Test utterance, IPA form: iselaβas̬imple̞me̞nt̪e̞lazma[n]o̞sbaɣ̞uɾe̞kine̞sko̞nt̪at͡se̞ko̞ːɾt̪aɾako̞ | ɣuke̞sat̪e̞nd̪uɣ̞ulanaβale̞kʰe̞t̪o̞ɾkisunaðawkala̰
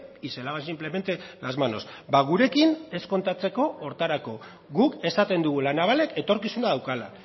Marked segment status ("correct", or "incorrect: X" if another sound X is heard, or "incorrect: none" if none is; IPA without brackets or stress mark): correct